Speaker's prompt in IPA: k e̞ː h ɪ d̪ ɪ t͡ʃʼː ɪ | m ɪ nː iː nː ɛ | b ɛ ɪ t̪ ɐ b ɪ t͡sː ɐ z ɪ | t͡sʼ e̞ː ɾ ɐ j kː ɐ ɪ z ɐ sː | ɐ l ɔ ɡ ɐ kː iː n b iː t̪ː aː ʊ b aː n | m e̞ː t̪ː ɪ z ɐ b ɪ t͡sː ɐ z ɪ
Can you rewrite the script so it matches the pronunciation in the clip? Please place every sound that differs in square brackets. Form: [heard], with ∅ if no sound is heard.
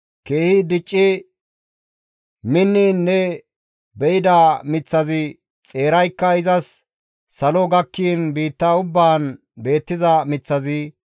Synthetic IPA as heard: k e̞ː h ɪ d̪ ɪ t͡ʃʼː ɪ | m ɪ nː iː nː ɛ | b ɛ ɪ [d̪] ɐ [m] ɪ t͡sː ɐ z ɪ | t͡sʼ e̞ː ɾ ɐ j kː ɐ ɪ z ɐ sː | ɐ l ɔ ɡ ɐ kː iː n b iː t̪ː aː ʊ [bː] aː n | [b] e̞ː t̪ː ɪ z ɐ [m] ɪ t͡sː ɐ z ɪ